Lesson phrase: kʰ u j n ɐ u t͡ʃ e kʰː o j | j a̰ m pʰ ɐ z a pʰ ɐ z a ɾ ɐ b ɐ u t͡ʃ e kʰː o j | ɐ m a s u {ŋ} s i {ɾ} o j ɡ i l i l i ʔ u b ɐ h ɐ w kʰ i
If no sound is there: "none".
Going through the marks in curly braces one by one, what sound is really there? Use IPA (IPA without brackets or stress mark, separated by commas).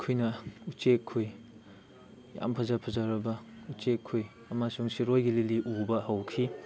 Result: ŋ, ɾ